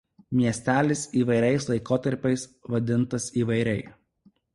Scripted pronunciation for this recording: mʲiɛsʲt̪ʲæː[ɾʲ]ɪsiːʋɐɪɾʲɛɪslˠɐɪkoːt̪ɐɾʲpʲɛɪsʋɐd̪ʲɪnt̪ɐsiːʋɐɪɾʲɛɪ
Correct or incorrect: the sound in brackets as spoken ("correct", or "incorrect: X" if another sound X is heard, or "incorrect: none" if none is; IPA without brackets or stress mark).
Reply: incorrect: lʲ